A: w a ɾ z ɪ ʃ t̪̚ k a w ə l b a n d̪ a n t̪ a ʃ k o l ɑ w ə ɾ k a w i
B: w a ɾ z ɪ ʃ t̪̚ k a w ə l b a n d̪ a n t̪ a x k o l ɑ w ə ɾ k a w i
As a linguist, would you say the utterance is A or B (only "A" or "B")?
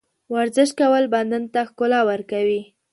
B